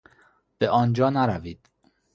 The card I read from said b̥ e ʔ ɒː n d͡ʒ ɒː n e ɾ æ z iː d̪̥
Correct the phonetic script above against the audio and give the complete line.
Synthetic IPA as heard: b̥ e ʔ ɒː n d͡ʒ ɒː n æ ɾ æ v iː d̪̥